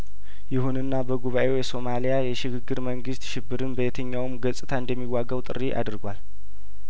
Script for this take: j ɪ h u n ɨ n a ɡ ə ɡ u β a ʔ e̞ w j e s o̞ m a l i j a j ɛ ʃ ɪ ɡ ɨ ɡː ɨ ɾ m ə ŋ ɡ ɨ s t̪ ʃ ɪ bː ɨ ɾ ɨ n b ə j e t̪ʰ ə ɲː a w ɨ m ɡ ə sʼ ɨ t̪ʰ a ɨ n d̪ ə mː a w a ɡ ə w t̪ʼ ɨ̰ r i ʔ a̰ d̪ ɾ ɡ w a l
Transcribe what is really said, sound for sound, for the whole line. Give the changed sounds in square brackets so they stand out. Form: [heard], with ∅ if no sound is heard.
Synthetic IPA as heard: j ɪ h u n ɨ [nː] a [b] ə ɡ u β a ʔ e̞ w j [ɛ] s o̞ m a l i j a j ɛ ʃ ɪ ɡ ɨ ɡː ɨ ɾ m ə ŋ ɡ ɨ s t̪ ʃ ɪ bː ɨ ɾ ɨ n b ə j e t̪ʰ ə ɲː a w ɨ m ɡ ə sʼ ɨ t̪ʰ a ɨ n d̪ ə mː [i] w a ɡ ə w t̪ʼ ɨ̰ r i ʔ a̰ d̪ ɾ ɡ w a l

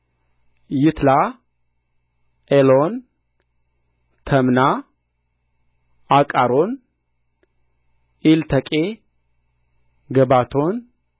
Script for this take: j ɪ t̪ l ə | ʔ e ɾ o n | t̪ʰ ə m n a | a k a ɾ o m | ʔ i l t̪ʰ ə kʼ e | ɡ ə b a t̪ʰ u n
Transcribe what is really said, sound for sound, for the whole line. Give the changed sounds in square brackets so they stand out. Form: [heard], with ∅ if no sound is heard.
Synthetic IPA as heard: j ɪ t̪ l [a] | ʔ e [l] o n | t̪ʰ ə m n a | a [kʼ] a ɾ o [n] | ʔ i l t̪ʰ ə kʼ e | ɡ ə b a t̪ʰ [o] n

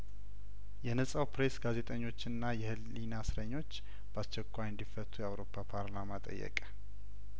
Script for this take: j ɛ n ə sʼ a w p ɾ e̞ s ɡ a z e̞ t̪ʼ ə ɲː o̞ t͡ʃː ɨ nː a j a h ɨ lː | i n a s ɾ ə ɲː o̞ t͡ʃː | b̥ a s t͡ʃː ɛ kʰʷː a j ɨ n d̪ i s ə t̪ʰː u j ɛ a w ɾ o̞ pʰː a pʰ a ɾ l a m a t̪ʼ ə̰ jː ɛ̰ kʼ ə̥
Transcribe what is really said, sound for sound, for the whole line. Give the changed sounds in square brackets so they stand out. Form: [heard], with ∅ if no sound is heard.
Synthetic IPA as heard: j ɛ n ə sʼ a w p ɾ e̞ s ɡ a z e̞ t̪ʼ ə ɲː o̞ t͡ʃː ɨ nː a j [ɛ] h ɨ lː | i n a s ɾ ə ɲː o̞ t͡ʃː | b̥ a s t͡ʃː ɛ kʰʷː a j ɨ n d̪ i [f] ə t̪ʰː u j ɛ a w ɾ o̞ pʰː a pʰ a ɾ l a m a t̪ʼ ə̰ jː ɛ̰ kʼ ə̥

